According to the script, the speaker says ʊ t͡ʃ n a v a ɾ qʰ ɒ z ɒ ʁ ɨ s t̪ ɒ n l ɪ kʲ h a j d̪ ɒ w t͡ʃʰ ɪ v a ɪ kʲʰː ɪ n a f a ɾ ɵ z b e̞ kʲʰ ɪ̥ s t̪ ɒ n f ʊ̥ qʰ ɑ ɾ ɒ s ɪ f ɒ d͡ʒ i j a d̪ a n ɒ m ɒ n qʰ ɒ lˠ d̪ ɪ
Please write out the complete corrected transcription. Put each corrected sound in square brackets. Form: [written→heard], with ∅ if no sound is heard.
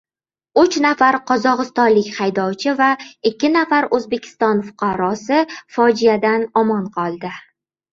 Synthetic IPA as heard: ʊ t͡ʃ n a [v→f] a ɾ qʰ ɒ z ɒ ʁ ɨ s t̪ ɒ n l ɪ kʲ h a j d̪ ɒ w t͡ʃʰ ɪ v a ɪ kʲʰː ɪ n a f a ɾ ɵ z b e̞ kʲʰ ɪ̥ s t̪ ɒ n f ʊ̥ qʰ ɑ ɾ ɒ s ɪ f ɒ d͡ʒ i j a d̪ a n ɒ m ɒ n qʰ ɒ lˠ d̪ ɪ

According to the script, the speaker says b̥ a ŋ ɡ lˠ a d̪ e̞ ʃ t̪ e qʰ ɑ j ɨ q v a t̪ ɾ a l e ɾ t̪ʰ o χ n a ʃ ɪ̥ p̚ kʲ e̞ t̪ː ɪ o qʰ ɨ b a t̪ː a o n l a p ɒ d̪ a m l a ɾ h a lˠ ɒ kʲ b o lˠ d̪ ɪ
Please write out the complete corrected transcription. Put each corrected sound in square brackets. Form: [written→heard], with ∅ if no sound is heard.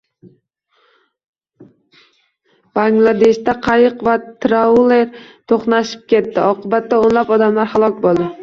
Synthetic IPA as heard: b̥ a ŋ ɡ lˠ a d̪ e̞ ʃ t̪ [e→a] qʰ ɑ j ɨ q v a t̪ ɾ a l e ɾ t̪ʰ o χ n a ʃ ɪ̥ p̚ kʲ e̞ t̪ː ɪ [o→ɒ] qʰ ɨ b a t̪ː a o n l a p ɒ d̪ a m l a ɾ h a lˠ ɒ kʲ b o lˠ d̪ ɪ

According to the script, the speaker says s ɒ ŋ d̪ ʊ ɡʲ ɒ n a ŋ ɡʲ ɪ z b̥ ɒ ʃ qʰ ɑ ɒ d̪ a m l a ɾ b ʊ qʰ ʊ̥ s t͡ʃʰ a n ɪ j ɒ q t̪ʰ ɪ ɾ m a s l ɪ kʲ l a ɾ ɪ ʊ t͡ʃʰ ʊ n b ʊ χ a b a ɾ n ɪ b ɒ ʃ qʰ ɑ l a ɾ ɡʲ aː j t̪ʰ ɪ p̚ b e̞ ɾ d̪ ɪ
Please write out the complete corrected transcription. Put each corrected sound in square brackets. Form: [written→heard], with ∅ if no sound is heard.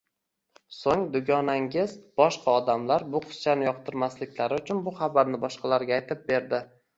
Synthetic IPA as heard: s [ɒ→o] ŋ d̪ ʊ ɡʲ ɒ n a ŋ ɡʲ ɪ z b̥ ɒ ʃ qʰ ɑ ɒ d̪ a m l a ɾ b ʊ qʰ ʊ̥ s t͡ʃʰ a n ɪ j ɒ q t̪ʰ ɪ ɾ m a s l ɪ kʲ l a ɾ ɪ ʊ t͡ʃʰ ʊ n b ʊ χ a b a ɾ n ɪ b ɒ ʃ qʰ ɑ l a ɾ ɡʲ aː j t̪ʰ ɪ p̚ b e̞ ɾ d̪ ɪ

